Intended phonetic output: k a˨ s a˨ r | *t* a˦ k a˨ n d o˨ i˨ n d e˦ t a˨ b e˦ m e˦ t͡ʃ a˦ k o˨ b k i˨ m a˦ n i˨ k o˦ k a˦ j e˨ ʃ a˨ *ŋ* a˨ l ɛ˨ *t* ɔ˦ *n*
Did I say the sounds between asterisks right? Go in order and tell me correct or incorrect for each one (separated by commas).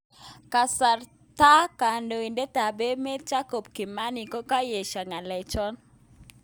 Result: correct, correct, incorrect, correct